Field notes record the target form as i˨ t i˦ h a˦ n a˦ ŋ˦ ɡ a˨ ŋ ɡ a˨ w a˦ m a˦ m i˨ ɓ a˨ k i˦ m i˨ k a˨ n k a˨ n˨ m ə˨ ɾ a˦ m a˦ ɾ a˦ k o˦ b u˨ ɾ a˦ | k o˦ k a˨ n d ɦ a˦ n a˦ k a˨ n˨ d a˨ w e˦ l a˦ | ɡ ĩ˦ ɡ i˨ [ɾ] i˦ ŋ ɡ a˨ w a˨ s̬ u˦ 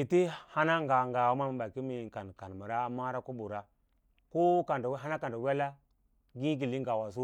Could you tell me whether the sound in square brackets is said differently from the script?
yes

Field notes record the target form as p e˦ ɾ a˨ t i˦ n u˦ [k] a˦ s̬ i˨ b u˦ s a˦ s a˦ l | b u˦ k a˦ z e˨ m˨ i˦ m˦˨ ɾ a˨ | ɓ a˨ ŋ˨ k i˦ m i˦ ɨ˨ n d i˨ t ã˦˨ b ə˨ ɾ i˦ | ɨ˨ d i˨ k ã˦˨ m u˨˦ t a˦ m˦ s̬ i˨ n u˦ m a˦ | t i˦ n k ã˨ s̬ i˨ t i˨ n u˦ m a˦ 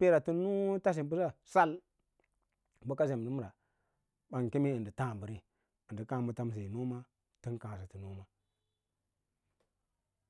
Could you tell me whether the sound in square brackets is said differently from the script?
yes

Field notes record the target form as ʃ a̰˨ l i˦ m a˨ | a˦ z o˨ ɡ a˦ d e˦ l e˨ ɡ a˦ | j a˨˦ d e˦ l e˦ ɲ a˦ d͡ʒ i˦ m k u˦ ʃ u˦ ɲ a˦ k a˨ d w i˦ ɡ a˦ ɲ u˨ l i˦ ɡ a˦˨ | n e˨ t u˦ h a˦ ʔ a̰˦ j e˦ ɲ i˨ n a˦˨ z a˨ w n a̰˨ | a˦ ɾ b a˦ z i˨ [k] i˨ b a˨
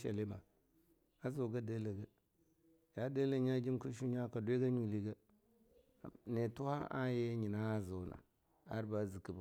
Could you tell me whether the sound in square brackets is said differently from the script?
no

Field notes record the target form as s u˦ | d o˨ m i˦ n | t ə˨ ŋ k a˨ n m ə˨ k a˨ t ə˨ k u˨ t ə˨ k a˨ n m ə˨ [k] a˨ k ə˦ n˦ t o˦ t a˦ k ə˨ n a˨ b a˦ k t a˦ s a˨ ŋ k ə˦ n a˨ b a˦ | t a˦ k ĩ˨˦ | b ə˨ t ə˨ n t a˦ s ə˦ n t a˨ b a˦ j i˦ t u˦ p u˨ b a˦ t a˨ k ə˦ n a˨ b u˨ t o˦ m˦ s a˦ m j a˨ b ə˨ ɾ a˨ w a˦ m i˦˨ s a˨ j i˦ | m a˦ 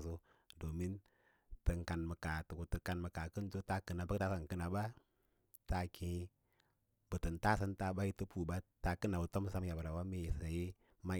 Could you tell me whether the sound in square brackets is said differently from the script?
no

